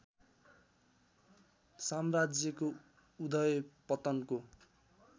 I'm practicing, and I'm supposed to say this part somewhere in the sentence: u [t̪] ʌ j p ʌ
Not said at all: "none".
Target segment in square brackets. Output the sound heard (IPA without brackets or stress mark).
d̪